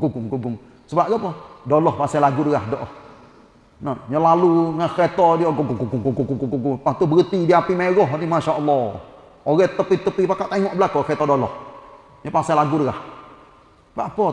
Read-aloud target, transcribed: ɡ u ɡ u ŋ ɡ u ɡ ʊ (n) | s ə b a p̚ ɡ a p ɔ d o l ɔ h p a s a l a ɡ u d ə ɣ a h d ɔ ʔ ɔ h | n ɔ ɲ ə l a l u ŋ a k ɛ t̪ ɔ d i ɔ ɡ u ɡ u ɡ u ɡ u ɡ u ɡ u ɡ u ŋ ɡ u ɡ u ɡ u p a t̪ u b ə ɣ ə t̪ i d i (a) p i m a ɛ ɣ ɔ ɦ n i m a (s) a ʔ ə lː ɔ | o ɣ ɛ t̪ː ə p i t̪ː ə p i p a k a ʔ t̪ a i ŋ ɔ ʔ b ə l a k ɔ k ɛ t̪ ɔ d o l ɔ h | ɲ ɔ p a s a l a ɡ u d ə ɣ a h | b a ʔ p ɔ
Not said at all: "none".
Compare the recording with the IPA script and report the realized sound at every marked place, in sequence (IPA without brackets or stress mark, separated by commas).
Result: ŋ, a, ʃ